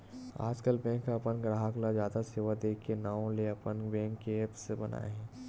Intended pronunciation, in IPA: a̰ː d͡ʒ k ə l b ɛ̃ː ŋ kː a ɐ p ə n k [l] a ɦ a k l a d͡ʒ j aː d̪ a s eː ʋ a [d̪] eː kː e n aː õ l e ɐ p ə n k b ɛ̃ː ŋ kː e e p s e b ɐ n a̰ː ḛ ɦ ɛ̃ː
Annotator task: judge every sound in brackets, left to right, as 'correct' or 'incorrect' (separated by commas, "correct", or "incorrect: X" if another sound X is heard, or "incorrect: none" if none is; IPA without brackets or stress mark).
incorrect: ɾ, correct